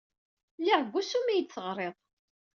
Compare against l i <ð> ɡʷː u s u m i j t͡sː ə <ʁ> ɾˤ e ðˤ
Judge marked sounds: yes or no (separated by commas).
no, yes